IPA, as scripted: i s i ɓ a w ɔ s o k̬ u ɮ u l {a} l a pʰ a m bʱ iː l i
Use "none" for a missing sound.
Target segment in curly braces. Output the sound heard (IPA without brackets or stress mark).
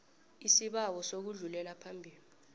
ɛ